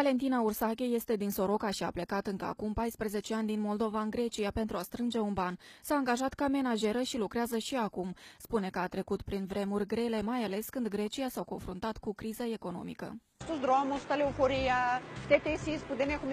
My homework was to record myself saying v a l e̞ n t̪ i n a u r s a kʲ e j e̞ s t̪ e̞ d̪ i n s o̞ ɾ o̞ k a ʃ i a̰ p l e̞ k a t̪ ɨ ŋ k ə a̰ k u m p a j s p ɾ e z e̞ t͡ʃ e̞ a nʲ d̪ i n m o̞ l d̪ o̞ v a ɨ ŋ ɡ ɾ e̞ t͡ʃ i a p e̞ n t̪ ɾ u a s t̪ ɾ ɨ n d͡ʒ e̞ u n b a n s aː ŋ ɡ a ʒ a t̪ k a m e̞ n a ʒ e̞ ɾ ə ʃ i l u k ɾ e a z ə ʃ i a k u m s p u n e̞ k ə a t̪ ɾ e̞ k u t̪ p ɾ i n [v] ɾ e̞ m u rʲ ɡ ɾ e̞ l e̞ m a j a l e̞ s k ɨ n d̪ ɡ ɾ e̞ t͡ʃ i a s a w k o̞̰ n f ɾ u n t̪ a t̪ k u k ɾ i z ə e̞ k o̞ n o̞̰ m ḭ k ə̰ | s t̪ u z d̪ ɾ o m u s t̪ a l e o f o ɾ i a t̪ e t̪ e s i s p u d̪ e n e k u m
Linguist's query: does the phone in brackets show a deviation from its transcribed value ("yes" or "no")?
no